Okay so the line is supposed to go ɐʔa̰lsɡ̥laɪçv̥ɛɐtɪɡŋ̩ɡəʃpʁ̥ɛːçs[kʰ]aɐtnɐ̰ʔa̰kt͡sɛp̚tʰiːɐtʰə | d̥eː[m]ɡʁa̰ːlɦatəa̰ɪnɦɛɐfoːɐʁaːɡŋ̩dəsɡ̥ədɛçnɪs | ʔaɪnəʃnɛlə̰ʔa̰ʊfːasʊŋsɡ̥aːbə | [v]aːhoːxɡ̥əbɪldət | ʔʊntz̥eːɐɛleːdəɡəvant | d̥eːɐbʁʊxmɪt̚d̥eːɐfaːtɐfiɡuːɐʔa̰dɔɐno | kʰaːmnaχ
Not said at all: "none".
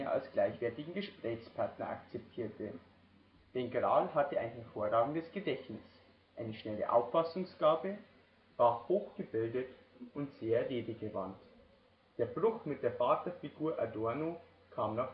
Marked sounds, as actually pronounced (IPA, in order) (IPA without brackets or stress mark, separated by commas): pʰ, n, v